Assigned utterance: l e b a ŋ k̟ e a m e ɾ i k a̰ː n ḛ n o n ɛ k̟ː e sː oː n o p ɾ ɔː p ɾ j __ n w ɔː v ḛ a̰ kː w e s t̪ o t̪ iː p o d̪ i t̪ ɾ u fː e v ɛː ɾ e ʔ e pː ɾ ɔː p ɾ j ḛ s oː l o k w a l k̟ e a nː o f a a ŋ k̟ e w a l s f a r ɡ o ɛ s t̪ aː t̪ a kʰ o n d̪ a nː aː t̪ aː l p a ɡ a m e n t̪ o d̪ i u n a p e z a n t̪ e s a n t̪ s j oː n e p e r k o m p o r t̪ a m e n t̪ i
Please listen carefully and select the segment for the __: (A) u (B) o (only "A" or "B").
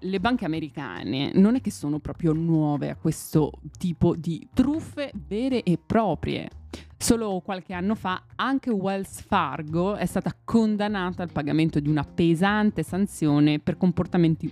B